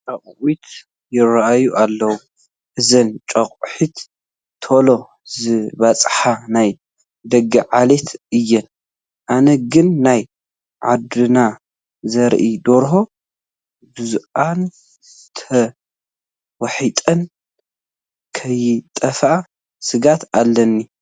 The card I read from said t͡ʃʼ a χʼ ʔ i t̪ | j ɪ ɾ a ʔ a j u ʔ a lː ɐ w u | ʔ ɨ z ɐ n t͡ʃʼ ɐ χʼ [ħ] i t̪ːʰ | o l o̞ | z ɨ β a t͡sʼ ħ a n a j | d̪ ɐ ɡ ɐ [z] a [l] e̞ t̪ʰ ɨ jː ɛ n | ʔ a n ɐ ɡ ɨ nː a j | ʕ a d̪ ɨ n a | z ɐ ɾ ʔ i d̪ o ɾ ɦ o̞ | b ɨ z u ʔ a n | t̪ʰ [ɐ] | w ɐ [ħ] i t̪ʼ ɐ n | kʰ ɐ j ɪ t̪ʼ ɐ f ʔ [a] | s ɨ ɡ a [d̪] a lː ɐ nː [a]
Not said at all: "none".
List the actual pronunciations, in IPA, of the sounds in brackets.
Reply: ħ, ʕ, l, ɐ, ħ, a, t̪, i

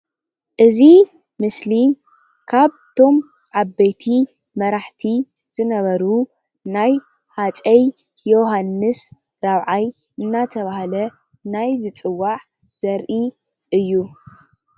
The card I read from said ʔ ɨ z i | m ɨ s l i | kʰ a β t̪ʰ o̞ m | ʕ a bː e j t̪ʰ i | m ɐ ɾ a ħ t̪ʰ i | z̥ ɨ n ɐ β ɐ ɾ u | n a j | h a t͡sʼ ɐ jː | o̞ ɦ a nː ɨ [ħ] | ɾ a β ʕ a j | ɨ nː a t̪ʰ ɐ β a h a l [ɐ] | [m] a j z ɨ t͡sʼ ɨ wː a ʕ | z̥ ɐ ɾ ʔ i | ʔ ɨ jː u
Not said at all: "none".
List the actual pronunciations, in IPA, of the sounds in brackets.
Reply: s, ɐ, n

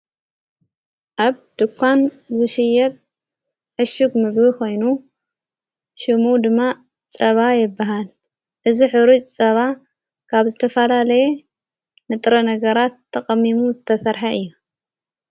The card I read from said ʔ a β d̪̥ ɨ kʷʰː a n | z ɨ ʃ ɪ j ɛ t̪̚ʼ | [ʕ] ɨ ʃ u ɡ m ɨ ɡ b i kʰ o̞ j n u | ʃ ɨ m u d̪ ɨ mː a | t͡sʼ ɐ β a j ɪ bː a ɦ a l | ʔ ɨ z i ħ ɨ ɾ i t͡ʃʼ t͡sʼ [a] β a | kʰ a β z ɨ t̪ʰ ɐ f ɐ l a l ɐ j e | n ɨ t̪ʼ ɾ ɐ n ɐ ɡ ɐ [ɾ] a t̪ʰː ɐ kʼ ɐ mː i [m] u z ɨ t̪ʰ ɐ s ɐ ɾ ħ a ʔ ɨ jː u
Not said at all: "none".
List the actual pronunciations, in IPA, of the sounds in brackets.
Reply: ʕ, ɐ, ɾ, m

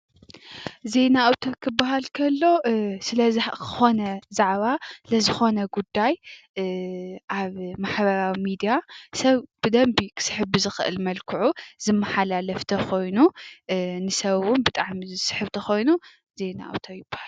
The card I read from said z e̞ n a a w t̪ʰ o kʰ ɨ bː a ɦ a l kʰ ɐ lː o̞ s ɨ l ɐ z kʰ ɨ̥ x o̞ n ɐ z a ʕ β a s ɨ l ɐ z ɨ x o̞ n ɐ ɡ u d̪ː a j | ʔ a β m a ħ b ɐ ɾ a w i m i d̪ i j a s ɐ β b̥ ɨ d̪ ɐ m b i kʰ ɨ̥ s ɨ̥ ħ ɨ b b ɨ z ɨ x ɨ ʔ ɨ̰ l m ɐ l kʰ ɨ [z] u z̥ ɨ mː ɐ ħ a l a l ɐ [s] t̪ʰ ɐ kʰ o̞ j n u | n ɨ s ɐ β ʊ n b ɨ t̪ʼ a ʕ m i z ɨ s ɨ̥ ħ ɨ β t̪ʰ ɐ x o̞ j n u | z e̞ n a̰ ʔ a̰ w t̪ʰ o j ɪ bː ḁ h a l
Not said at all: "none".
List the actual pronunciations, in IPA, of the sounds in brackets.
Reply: ʕ, f

